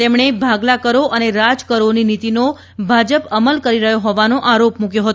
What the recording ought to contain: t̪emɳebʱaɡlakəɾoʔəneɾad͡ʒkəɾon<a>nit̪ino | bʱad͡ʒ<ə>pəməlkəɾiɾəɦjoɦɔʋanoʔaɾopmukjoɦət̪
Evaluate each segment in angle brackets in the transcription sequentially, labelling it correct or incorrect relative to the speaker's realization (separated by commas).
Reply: incorrect, correct